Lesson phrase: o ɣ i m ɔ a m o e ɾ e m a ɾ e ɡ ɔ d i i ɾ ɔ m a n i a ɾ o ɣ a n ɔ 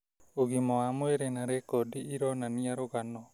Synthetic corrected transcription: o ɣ i m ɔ a m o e ɾ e n a ɾ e k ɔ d i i ɾ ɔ n a n i a ɾ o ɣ a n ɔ